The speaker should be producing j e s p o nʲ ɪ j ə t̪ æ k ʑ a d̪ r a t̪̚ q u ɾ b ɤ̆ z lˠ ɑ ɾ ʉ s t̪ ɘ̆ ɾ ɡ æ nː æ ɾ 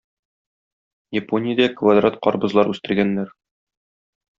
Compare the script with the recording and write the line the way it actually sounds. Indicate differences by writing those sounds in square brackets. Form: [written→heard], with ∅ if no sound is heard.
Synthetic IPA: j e [s→∅] p o nʲ ɪ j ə [t̪→d̪] æ k [ʑ→v] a d̪ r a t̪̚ q [u→ɒ] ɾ b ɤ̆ z lˠ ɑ ɾ ʉ s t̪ ɘ̆ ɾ ɡ æ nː æ ɾ